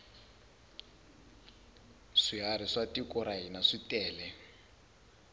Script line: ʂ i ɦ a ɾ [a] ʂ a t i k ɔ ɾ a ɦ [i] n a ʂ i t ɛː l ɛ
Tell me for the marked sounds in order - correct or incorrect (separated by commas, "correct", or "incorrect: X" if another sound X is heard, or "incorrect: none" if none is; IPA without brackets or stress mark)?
incorrect: i, correct